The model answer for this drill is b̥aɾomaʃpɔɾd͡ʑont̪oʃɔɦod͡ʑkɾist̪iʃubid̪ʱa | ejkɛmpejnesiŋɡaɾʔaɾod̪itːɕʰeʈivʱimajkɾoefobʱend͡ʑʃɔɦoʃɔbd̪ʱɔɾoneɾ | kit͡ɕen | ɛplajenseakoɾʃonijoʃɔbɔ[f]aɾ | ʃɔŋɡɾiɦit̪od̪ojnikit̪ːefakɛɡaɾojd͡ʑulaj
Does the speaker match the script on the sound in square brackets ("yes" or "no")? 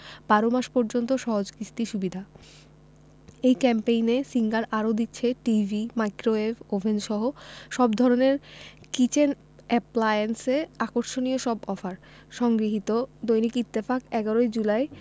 yes